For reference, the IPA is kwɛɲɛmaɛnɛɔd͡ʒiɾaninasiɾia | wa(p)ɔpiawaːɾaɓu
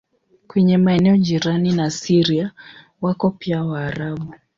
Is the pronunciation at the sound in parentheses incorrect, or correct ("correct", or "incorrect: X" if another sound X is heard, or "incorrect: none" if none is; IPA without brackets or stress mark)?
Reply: incorrect: k